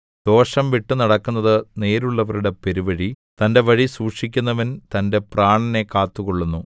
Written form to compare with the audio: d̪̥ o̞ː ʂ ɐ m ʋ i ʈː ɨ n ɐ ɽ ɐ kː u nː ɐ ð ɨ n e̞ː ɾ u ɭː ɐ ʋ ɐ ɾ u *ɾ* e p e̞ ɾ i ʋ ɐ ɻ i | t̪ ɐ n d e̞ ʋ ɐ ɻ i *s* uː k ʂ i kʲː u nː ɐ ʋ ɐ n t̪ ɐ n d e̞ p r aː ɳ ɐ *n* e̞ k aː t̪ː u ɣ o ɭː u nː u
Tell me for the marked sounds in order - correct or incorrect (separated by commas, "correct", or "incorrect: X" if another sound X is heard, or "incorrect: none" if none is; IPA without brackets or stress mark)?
incorrect: ɽ, correct, correct